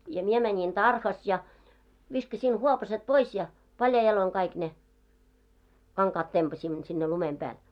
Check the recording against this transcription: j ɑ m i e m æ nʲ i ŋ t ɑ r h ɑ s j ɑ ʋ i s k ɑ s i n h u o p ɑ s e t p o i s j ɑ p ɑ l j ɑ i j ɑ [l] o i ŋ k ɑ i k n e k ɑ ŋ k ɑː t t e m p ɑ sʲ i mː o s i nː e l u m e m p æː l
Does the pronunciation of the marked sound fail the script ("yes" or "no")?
no